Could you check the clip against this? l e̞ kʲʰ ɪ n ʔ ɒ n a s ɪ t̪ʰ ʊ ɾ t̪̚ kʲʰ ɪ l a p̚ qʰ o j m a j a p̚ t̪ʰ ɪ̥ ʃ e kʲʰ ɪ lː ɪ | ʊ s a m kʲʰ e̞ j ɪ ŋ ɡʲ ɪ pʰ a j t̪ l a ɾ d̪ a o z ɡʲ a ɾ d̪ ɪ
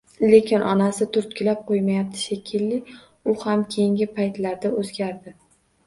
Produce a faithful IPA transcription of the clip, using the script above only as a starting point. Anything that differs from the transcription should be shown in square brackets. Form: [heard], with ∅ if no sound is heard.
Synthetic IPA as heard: l e̞ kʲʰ ɪ n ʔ ɒ n a s ɪ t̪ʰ ʊ ɾ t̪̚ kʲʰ ɪ l a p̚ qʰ o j m a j a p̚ t̪ʰ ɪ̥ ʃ e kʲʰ ɪ lː ɪ | ʊ [h] a m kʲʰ e̞ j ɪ ŋ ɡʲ ɪ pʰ a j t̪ l a ɾ d̪ a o z ɡʲ a ɾ d̪ ɪ